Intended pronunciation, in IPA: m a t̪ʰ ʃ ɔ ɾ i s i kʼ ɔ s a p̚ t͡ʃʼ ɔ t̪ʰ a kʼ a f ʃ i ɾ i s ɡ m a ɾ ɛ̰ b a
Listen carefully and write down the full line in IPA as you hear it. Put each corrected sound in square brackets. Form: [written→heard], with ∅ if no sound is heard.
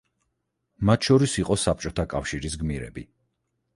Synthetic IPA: m a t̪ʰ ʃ ɔ ɾ i s i [kʼ→qʼ] ɔ s a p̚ t͡ʃʼ ɔ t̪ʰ a kʼ a f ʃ i ɾ i s ɡ m [a→i] ɾ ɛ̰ b [a→i]